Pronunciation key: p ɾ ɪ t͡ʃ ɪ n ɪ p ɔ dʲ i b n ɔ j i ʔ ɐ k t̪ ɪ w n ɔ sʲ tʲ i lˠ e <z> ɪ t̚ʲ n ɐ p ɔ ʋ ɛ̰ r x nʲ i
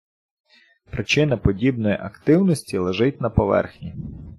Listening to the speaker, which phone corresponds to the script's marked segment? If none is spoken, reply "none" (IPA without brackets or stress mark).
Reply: ʒ